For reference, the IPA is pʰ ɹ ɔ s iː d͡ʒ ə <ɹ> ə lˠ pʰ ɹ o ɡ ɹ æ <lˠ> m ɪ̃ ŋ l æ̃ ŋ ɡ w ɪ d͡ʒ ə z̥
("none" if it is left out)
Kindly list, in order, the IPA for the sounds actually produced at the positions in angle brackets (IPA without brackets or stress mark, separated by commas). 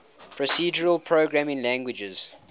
ɹ, none